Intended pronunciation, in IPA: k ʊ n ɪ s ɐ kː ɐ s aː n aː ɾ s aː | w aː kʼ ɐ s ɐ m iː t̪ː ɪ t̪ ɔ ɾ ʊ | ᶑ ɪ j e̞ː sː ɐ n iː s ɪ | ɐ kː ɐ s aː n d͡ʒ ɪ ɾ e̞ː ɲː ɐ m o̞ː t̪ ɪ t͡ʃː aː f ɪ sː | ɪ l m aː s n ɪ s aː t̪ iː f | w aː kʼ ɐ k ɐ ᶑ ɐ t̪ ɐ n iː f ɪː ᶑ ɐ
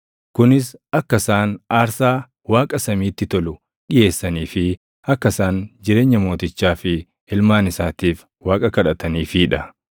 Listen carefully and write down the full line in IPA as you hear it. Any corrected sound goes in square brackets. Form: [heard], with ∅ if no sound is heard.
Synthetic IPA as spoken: k ʊ n ɪ s ɐ kː ɐ s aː n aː ɾ s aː | w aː kʼ ɐ s ɐ m iː t̪ː ɪ t̪ ɔ [l] ʊ | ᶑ ɪ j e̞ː sː ɐ n iː [f] ɪ | ɐ kː ɐ s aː n d͡ʒ ɪ ɾ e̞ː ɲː ɐ m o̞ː t̪ ɪ t͡ʃː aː f ɪ [∅] | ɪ l m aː [∅] n ɪ s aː t̪ iː f | w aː kʼ ɐ k ɐ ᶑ ɐ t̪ ɐ n iː f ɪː ᶑ ɐ

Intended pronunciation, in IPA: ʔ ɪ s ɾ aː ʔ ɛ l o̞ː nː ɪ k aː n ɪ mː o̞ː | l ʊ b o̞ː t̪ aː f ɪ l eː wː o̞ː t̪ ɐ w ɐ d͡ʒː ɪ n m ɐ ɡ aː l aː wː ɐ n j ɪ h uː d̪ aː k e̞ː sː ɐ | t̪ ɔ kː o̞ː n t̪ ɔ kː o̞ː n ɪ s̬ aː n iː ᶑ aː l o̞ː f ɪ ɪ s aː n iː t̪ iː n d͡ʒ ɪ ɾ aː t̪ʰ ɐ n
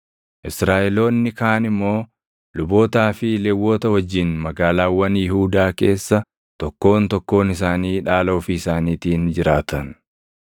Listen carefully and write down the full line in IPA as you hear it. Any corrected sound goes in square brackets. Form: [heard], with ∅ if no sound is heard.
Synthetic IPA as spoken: ʔ ɪ s ɾ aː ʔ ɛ l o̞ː nː ɪ k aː n ɪ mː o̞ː | l ʊ b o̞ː t̪ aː f ɪ l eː wː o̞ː t̪ ɐ w ɐ d͡ʒː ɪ n m ɐ ɡ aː l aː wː ɐ n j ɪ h uː d̪ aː k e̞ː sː ɐ | t̪ ɔ kː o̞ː n t̪ ɔ kː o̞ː n ɪ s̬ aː n iː ᶑ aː l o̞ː f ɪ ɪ s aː n iː t̪ iː n d͡ʒ ɪ ɾ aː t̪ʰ ɐ n

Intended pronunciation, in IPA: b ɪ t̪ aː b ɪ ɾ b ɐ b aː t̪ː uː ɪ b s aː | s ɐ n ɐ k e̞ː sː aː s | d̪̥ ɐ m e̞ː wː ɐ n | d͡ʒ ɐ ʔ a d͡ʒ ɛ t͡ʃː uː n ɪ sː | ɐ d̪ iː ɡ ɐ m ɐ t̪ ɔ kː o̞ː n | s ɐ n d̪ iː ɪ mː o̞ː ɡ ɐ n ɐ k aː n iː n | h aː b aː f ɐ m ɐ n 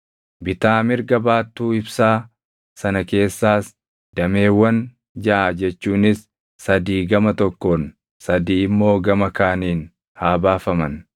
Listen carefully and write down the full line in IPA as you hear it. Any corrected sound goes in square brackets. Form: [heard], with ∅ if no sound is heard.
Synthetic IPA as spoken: b ɪ t̪ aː [m] ɪ ɾ [ɡ] ɐ b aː t̪ː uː ɪ b s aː | s ɐ n ɐ k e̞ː sː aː s | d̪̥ ɐ m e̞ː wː ɐ n | d͡ʒ ɐ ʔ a d͡ʒ ɛ t͡ʃː uː n ɪ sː | ɐ d̪ iː ɡ ɐ m ɐ t̪ ɔ kː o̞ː n | s ɐ [∅] d̪ iː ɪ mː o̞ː ɡ ɐ [m] ɐ k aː n iː n | h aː b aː f ɐ m ɐ n

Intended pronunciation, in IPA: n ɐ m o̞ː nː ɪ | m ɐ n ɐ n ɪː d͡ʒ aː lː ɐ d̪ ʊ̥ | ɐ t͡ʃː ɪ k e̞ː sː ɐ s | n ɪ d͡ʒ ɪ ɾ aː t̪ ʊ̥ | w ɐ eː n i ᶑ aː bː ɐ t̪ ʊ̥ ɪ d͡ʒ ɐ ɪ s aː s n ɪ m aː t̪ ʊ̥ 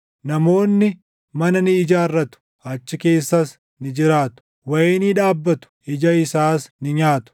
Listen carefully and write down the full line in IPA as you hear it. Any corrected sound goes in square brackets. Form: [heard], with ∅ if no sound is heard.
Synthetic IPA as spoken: n ɐ m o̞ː nː ɪ | m ɐ n ɐ n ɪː d͡ʒ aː [rː] ɐ [t̪] ʊ̥ | ɐ t͡ʃː ɪ k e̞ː sː ɐ s | n ɪ d͡ʒ ɪ ɾ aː t̪ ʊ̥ | w ɐ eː n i ᶑ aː bː ɐ t̪ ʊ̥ ɪ d͡ʒ ɐ ɪ s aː s n ɪ [ɲ] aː t̪ ʊ̥

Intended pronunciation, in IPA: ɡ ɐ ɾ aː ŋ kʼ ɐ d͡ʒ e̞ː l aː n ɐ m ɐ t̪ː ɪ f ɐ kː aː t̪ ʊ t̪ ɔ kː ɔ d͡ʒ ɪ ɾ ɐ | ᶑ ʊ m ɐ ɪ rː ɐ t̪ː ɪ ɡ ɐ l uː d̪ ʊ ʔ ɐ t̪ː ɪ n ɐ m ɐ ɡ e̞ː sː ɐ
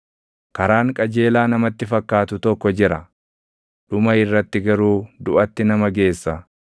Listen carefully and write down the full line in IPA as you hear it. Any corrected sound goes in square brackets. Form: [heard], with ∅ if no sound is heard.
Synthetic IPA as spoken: [k] ɐ ɾ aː ŋ kʼ ɐ d͡ʒ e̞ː l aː n ɐ m ɐ t̪ː ɪ f ɐ kː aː t̪ ʊ t̪ ɔ kː ɔ d͡ʒ ɪ ɾ ɐ | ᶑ ʊ m ɐ ɪ rː ɐ t̪ː ɪ ɡ ɐ [ɾ] uː d̪ ʊ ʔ ɐ t̪ː ɪ n ɐ m ɐ ɡ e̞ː sː ɐ

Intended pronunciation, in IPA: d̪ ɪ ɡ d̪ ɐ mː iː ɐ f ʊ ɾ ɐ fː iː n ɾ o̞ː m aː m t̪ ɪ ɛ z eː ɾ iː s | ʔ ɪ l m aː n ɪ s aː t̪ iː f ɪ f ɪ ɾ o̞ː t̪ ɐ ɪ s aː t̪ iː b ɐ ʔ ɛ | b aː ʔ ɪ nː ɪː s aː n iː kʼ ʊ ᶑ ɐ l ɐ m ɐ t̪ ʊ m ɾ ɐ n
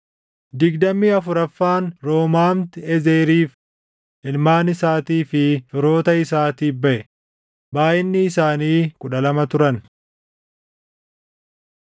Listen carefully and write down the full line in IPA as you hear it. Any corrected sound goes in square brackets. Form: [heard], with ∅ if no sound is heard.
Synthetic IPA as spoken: d̪ ɪ ɡ d̪ ɐ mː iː ɐ f ʊ ɾ ɐ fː [aː] n ɾ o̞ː m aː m t̪ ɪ ɛ z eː ɾ iː [f] | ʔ ɪ l m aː n ɪ s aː t̪ iː f ɪ f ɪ ɾ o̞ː t̪ ɐ ɪ s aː t̪ iː b ɐ ʔ ɛ | b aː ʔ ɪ nː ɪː s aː n iː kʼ ʊ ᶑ ɐ l ɐ m ɐ t̪ ʊ [∅] ɾ ɐ n

